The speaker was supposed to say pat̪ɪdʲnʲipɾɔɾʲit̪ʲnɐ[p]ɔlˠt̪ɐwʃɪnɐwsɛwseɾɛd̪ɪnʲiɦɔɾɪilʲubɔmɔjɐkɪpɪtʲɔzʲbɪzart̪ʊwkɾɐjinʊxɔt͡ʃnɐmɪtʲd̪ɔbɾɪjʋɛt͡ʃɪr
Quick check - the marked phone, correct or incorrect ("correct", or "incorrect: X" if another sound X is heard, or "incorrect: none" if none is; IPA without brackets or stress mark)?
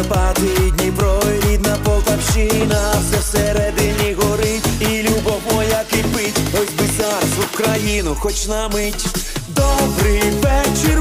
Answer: correct